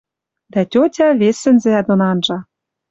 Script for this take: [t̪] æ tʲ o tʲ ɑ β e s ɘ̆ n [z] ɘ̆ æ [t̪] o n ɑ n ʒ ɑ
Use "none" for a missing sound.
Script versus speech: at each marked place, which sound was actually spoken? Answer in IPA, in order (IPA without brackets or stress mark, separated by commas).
d̪, z, d̪